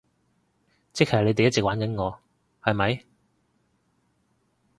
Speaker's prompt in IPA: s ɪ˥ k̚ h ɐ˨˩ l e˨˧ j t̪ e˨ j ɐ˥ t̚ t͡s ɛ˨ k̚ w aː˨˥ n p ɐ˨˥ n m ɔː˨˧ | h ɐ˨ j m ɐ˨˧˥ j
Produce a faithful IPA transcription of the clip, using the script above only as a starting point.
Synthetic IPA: t͡s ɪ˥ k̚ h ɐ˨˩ l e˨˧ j t̪ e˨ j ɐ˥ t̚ t͡s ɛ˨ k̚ w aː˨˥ n k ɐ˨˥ n ŋ ɔː˨˧ | h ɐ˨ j m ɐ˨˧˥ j